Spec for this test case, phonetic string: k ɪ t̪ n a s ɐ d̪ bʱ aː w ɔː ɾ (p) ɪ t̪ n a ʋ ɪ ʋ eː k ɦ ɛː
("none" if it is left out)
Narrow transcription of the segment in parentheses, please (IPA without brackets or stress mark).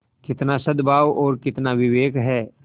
k